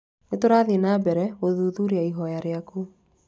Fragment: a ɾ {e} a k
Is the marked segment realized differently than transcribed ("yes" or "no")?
no